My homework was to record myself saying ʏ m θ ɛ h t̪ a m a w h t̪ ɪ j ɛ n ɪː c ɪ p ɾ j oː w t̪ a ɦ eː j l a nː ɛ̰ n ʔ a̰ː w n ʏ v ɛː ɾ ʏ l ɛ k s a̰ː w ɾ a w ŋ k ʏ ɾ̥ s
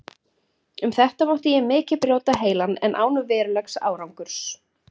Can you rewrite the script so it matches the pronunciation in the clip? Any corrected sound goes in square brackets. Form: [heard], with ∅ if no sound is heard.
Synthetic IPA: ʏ m θ ɛ h t̪ a m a w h t̪ ɪ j ɛ [m] ɪː c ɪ p ɾ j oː w t̪ a ɦ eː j l a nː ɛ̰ n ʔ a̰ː w n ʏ v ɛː ɾ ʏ l ɛ k s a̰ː w ɾ a w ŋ k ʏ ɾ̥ s